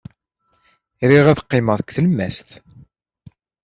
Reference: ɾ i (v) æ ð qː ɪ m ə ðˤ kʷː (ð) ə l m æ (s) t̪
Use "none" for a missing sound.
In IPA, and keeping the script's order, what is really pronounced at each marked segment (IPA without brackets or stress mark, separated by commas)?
ʁ, θ, s